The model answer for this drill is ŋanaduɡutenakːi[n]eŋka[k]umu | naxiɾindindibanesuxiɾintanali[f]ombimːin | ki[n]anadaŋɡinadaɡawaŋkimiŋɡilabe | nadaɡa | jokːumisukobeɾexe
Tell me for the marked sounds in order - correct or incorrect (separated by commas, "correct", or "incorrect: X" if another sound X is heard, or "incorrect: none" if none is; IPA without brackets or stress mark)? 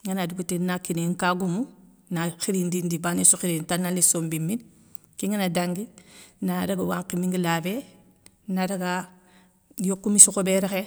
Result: correct, incorrect: ɡ, incorrect: s, incorrect: ŋ